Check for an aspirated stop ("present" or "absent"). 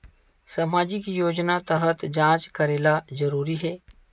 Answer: absent